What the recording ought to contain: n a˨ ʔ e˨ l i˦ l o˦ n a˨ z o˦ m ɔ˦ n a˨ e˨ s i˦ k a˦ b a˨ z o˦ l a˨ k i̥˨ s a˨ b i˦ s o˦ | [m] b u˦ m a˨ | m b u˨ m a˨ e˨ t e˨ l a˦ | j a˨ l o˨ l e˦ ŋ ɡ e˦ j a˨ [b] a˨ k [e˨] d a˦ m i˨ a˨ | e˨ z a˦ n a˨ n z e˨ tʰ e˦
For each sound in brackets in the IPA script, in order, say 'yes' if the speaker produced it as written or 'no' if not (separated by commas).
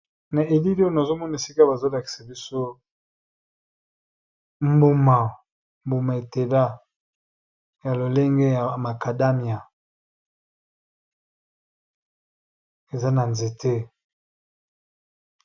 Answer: yes, no, no